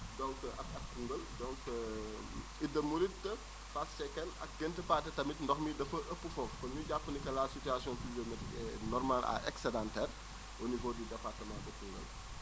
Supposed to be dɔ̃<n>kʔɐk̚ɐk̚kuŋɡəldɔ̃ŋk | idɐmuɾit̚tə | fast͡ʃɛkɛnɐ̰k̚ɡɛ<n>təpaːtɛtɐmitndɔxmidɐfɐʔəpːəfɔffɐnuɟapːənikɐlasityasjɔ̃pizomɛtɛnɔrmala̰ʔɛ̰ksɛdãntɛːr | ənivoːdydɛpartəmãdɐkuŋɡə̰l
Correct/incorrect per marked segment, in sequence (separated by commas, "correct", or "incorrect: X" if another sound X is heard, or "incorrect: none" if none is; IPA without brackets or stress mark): incorrect: ŋ, correct